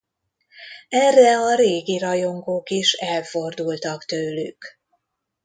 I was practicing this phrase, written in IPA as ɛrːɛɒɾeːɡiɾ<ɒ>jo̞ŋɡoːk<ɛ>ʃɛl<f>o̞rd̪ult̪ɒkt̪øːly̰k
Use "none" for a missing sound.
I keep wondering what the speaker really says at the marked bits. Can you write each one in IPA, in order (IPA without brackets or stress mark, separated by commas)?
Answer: ɒ, i, f